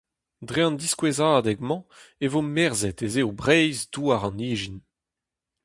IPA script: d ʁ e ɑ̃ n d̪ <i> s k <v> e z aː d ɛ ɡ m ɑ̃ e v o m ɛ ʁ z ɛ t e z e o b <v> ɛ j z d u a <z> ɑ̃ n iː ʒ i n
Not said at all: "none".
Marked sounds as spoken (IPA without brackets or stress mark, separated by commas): i, w, ʁ, ʁ